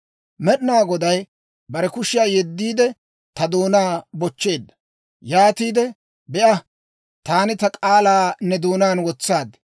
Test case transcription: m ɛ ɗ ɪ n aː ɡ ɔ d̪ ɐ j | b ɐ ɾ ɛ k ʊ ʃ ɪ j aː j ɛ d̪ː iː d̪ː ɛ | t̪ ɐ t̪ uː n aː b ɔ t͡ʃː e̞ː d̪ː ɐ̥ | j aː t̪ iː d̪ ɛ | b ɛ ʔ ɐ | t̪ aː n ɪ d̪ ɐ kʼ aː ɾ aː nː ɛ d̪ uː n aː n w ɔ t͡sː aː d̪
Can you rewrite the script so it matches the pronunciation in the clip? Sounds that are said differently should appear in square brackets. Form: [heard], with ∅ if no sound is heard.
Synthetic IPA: m ɛ ɗ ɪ n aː ɡ ɔ d̪ ɐ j | b ɐ ɾ ɛ k ʊ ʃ ɪ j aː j ɛ d̪ː iː [d̪] ɛ | t̪ ɐ [d̪] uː n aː b ɔ t͡ʃː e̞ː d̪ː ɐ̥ | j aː t̪ iː d̪ ɛ | b ɛ ʔ ɐ | t̪ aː n ɪ [t̪] ɐ kʼ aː [l] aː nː ɛ d̪ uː n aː n w ɔ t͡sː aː d̪